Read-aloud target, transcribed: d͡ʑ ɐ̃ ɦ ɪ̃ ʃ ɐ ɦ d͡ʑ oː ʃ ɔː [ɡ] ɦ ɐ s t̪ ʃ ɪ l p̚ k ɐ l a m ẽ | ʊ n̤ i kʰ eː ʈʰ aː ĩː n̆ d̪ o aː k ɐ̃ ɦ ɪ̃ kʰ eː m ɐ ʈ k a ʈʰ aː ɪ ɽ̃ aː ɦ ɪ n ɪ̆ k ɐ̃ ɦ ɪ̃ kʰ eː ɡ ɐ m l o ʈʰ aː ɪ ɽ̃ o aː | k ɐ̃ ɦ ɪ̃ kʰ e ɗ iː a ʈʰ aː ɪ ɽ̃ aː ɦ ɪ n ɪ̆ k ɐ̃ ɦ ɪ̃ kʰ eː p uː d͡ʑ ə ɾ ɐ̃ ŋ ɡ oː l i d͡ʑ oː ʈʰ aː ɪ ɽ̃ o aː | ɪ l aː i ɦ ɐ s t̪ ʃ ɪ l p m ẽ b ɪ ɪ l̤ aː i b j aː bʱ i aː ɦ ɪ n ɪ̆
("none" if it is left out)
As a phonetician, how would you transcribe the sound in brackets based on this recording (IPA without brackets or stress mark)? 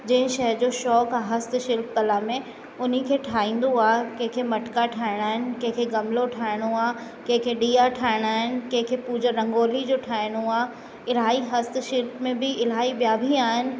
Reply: k